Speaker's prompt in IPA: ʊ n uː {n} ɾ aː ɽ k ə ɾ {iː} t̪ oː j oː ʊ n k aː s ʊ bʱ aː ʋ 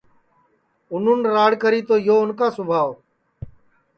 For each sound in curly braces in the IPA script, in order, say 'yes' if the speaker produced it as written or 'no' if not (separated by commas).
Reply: yes, yes